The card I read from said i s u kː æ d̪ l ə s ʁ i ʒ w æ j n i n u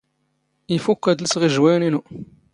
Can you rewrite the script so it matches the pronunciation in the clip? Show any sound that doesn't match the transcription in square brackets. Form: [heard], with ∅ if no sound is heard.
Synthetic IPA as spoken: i [f] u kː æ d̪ l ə s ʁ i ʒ w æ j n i n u